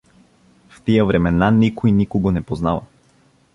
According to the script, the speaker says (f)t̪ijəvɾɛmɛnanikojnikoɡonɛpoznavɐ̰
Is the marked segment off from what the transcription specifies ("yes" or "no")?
no